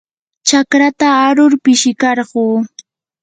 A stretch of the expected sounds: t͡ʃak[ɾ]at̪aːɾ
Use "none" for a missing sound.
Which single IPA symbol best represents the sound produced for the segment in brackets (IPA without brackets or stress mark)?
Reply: ɾ